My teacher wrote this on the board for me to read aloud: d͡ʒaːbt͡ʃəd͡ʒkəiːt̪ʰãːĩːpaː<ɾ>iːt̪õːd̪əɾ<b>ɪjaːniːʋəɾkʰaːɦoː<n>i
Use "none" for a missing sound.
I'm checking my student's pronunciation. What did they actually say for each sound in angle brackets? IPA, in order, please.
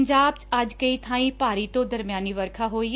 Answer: ɾ, m, none

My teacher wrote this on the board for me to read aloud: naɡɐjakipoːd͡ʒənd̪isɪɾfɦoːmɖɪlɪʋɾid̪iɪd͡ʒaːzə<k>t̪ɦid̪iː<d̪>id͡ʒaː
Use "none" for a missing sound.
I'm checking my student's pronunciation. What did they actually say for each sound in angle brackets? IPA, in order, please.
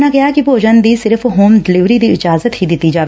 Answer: none, t̪

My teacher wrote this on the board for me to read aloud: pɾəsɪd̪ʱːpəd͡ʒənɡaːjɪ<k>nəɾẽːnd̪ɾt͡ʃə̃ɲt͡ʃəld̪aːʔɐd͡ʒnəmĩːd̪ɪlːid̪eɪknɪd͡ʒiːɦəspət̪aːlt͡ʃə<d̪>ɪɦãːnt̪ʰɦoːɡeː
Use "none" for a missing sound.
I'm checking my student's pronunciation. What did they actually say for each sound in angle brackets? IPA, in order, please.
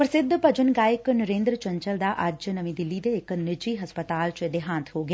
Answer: k, d̪

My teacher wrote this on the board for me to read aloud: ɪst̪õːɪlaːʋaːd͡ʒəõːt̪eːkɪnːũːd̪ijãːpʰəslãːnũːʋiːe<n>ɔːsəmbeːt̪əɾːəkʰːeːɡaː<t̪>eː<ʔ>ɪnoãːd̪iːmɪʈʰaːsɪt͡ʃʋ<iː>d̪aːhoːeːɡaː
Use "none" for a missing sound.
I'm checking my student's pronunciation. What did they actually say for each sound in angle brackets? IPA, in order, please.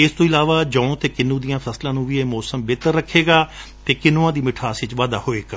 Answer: m, t̪, k, aː

